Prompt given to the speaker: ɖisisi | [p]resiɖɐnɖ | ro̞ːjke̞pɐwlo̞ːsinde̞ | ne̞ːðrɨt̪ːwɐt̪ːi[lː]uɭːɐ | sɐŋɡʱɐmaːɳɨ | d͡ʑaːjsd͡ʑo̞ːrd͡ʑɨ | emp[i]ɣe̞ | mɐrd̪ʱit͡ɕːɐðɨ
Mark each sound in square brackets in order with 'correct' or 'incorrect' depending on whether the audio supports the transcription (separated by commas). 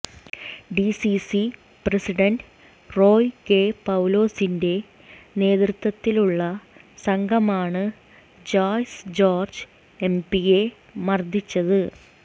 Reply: correct, incorrect, correct